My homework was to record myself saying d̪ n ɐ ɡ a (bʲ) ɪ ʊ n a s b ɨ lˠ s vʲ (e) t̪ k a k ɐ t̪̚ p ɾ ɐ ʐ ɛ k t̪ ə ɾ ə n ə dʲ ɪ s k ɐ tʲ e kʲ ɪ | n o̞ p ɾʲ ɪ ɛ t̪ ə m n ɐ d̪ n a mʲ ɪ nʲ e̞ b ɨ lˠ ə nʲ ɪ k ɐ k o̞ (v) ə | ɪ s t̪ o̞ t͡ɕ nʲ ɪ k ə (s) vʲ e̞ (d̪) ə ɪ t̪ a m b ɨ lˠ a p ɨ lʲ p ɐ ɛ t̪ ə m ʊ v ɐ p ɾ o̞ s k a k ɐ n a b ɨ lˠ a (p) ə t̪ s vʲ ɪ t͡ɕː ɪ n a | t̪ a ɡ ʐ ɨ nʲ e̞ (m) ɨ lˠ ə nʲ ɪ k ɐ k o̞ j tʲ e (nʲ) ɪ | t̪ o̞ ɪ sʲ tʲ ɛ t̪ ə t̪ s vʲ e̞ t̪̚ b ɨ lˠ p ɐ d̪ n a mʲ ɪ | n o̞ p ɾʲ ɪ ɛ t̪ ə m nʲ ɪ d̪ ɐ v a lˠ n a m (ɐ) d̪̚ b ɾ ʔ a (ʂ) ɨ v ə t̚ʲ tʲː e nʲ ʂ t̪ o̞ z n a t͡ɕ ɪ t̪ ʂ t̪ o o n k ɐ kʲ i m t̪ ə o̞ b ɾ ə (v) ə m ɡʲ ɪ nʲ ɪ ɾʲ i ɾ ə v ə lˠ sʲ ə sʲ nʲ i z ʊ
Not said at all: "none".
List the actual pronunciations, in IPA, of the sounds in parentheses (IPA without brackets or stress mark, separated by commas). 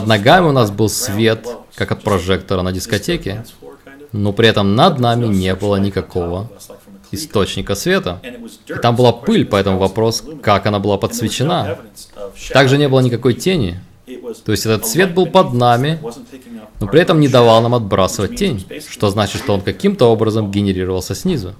mʲ, e, v, s, t̪, p, b, nʲ, ɐ, s, z